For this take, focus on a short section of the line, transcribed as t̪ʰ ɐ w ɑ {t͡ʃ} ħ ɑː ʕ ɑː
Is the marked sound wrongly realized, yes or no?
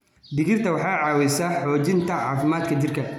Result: yes